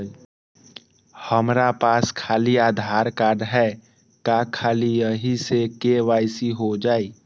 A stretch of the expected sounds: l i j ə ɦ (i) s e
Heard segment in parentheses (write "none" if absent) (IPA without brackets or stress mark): i